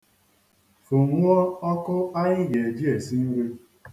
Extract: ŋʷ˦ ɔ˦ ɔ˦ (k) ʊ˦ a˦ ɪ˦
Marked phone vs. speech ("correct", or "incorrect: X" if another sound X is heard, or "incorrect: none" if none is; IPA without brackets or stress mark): correct